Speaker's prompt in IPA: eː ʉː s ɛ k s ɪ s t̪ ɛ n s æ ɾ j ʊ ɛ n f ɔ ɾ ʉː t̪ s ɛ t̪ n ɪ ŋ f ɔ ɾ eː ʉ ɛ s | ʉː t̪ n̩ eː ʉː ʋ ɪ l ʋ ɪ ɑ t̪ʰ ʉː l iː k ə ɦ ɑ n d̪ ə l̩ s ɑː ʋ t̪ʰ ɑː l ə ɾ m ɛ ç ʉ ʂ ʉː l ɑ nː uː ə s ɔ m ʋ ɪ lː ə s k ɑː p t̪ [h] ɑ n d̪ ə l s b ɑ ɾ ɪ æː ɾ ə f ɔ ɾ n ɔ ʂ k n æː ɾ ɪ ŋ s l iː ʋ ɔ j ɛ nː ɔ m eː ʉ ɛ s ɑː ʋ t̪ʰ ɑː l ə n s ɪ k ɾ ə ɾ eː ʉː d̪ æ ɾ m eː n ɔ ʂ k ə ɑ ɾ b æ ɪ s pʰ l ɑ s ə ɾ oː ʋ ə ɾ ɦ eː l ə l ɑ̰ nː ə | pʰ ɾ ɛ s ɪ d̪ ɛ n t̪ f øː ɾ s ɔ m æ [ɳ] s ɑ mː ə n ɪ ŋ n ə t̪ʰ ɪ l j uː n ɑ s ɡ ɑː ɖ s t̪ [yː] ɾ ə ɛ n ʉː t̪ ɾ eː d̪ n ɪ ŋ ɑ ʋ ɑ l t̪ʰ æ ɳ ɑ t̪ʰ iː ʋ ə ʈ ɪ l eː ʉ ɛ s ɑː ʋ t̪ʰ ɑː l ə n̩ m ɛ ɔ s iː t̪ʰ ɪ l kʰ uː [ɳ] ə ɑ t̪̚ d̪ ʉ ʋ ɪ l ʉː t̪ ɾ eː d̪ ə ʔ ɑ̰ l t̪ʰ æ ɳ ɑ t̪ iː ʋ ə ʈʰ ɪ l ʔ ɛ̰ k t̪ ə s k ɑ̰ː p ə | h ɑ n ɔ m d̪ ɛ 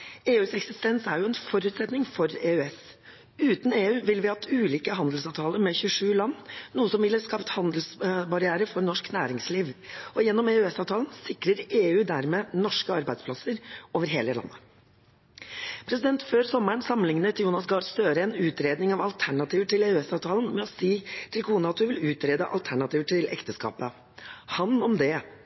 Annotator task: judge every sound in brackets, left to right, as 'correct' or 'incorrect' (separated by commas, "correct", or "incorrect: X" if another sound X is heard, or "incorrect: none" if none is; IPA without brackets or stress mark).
correct, correct, incorrect: øː, incorrect: n